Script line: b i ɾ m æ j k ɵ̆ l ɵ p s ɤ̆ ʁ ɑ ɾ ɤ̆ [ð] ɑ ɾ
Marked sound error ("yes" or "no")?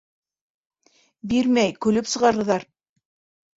no